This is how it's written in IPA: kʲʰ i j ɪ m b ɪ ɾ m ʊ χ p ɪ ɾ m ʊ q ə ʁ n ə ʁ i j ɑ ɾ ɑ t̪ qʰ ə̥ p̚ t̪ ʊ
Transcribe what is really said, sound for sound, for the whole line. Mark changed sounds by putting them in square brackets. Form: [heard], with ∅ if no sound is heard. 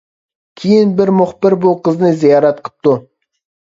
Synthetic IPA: kʲʰ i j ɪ [n] b ɪ ɾ m ʊ χ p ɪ ɾ [b] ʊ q ə [z] n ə [z] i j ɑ ɾ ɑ t̪ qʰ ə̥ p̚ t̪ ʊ

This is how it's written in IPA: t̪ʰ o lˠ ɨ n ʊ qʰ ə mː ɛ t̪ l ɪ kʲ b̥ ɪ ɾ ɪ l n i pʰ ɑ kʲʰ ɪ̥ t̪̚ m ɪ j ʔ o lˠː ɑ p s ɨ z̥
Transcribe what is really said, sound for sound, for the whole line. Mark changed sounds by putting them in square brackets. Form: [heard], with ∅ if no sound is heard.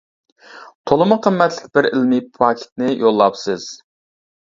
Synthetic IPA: t̪ʰ o lˠ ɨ [m] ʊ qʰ ə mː ɛ t̪ l ɪ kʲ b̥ ɪ ɾ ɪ l [m] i pʰ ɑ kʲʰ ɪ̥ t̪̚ [n] ɪ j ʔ o lˠː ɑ p s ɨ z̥

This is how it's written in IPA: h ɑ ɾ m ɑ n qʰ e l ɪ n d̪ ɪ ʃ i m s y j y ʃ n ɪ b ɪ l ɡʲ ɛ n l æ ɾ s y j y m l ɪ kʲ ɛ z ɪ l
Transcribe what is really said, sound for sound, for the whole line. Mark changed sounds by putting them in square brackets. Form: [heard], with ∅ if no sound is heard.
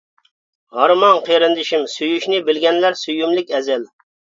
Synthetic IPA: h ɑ ɾ m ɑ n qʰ e [ɾ] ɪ n d̪ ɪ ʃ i m s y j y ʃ n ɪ b ɪ l ɡʲ ɛ n l æ ɾ s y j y m l ɪ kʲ ɛ z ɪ l

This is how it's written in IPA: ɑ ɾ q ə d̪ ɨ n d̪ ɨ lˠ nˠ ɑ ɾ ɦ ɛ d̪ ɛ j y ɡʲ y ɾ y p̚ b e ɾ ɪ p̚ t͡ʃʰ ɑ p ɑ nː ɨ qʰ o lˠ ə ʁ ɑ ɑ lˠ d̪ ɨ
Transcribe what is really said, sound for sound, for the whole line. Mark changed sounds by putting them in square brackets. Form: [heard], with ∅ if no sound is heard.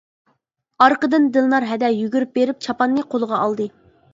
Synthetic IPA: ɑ ɾ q ə d̪ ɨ n d̪ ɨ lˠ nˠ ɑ ɾ ɦ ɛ d̪ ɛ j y ɡʲ y ɾ y p̚ b e ɾ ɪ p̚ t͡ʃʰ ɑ p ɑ nː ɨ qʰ o lˠ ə ʁ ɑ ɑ lˠ d̪ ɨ

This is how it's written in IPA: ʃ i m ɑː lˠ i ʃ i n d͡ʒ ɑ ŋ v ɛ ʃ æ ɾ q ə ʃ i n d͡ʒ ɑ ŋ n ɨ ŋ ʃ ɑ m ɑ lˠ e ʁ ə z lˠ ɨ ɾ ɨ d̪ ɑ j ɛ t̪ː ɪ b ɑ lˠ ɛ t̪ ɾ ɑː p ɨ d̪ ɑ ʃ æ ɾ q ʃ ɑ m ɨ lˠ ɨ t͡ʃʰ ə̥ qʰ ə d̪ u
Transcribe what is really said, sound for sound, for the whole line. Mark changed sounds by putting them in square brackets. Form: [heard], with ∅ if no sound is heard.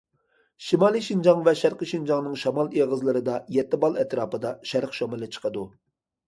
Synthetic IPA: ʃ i m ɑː lˠ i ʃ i n d͡ʒ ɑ ŋ v ɛ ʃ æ ɾ q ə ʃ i n d͡ʒ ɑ ŋ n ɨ ŋ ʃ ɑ m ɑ lˠ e ʁ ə z lˠ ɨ ɾ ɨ d̪ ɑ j ɛ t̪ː ɪ b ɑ lˠ ɛ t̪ ɾ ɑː p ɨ d̪ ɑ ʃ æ ɾ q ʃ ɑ m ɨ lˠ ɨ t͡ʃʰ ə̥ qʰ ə d̪ u

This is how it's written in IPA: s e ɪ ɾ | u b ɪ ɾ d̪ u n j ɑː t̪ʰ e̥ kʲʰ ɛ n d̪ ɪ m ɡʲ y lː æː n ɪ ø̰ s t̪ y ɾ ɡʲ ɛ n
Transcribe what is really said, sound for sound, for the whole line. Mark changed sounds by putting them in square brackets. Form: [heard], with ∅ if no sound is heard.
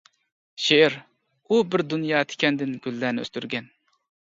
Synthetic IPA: [ʃ] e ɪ ɾ | u b ɪ ɾ d̪ u n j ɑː t̪ʰ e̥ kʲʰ ɛ n d̪ ɪ [n] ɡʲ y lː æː n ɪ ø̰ s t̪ y ɾ ɡʲ ɛ n

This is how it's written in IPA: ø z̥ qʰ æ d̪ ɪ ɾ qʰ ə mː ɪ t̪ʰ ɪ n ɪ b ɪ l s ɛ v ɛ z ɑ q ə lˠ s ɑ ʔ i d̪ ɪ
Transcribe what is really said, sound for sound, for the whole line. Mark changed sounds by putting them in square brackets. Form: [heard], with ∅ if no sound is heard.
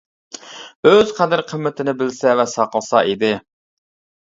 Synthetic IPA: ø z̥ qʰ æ d̪ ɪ ɾ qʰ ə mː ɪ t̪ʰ ɪ n ɪ b ɪ l s ɛ v ɛ [s] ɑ q ə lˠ s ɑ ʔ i d̪ ɪ

